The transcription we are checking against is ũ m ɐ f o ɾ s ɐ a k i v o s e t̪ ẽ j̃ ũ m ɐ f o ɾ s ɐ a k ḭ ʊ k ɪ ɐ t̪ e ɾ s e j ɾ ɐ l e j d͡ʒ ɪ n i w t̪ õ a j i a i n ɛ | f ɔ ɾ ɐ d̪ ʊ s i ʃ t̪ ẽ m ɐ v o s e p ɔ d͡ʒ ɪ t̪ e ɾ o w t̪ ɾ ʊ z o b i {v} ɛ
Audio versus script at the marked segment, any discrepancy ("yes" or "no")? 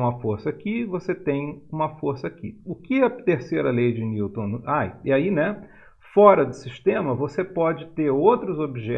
yes